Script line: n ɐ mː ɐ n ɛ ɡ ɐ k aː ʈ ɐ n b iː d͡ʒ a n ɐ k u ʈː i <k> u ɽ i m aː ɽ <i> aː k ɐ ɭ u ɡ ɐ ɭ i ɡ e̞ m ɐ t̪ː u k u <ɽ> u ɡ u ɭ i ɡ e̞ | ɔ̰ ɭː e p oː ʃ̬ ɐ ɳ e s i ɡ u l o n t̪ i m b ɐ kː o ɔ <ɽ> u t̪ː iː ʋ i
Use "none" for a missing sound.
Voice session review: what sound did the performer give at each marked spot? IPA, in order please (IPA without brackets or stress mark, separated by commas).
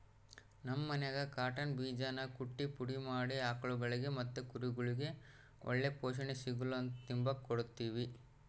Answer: p, i, ɾ, ɽ